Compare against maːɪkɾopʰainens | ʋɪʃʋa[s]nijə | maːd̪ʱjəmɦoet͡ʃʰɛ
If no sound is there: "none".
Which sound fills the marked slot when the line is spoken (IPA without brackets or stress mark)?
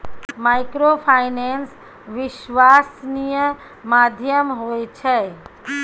s